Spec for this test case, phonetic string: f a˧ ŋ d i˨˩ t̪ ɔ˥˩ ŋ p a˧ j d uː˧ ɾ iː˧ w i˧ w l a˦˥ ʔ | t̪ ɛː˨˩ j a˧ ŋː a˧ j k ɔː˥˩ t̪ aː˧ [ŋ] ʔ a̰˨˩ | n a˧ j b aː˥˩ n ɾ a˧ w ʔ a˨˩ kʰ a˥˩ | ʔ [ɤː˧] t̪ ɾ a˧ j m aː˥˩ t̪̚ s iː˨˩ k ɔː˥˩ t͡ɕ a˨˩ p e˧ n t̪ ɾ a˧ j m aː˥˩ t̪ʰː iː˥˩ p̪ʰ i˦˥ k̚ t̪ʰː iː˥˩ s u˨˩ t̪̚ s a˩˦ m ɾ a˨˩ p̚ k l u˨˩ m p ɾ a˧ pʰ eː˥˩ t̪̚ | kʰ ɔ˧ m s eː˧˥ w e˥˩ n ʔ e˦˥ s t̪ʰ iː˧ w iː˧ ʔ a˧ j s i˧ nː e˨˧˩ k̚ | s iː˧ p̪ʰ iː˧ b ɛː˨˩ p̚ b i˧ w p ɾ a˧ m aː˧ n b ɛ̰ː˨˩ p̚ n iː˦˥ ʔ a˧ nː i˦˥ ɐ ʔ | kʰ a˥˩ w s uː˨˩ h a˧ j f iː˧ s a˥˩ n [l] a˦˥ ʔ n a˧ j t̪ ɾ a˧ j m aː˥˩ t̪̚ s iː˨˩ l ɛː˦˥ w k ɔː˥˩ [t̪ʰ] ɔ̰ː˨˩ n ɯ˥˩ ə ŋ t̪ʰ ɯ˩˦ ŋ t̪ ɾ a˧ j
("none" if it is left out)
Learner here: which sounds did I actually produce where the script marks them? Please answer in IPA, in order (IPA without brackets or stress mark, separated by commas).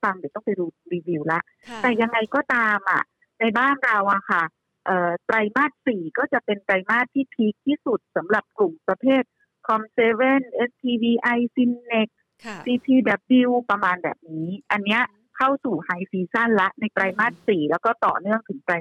m, ɤː˨˩, l, t̪